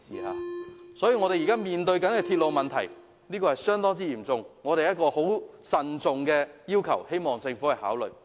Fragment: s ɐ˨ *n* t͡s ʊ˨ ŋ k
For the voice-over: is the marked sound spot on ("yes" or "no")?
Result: yes